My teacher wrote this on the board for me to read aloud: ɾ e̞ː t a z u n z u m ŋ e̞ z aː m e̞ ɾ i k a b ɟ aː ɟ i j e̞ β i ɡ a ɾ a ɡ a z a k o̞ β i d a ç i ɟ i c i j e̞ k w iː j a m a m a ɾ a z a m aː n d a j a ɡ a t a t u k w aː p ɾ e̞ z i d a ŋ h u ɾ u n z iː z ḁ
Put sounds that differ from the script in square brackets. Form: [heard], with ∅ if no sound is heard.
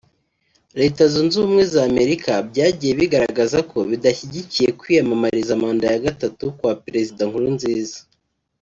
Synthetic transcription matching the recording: ɾ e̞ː t a z u n z u m ŋ e̞ z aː m e̞ ɾ i k a b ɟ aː ɟ i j e̞ β i ɡ a ɾ a ɡ a z a k o̞ β i d a ç i ɟ i c i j e̞ k w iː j a m a m a ɾ [i] z a m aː n d a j a ɡ a t a t u k w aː p ɾ e̞ z i d a ŋ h u ɾ u n z iː z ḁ

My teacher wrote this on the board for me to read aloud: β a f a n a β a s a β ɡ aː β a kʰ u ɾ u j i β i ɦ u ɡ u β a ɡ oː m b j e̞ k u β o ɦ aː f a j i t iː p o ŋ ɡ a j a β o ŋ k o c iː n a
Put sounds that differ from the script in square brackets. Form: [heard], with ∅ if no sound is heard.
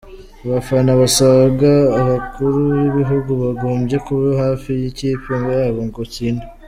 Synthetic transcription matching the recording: β a f a n a β a s a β ɡ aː β a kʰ u ɾ u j i β i ɦ u ɡ u β a ɡ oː m b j e̞ k u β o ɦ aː f [i] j i [c] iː p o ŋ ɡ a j a β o ŋ [ɡ] o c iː n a

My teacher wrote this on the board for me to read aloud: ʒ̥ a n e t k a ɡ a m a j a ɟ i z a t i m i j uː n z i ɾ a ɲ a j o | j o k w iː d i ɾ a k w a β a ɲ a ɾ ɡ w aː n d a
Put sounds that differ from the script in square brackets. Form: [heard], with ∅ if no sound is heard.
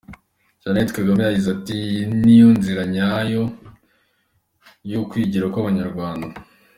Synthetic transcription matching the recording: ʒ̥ a n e t k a ɡ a m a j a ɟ i z a t i [n] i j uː n z i ɾ a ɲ a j o | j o k w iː [ɟ] i ɾ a k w a β a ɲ a ɾ ɡ w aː n d a

